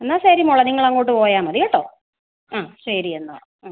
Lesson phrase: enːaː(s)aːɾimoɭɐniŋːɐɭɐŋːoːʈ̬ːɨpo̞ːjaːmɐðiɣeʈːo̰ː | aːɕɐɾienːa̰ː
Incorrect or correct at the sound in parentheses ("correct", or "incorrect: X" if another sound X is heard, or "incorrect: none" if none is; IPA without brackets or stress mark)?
correct